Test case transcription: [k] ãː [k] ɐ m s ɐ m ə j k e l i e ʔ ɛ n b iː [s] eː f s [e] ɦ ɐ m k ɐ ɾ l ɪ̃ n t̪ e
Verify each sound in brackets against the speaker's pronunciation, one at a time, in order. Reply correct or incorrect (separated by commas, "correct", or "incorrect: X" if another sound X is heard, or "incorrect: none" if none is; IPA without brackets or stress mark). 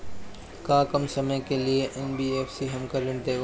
correct, correct, incorrect: none, incorrect: i